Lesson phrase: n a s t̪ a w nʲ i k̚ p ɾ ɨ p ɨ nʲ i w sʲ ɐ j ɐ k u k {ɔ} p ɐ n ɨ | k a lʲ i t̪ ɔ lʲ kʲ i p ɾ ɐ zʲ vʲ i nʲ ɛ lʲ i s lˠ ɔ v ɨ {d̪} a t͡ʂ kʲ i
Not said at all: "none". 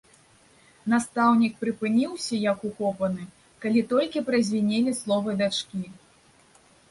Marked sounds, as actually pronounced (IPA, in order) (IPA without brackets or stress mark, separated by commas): ɔ, d̪